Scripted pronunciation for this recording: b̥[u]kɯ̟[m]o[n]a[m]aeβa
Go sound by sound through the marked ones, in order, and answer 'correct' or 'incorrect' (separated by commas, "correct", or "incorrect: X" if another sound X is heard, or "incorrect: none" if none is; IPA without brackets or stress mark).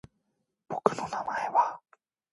incorrect: o, incorrect: n, correct, correct